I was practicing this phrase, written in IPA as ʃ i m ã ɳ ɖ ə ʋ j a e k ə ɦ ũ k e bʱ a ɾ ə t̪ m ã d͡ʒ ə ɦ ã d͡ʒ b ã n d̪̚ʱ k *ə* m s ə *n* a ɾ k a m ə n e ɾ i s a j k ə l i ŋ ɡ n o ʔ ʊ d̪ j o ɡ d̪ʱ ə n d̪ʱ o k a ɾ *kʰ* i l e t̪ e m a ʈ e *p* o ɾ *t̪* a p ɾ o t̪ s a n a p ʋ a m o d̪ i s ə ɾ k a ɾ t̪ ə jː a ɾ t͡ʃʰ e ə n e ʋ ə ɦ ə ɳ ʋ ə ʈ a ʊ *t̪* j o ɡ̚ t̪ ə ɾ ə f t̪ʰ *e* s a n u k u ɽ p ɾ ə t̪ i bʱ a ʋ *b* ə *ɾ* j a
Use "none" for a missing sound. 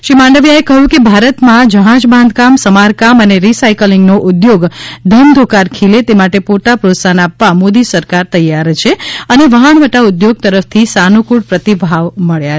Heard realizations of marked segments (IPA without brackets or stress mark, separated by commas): a, m, kʰ, p, t̪, d̪, i, m, ɭ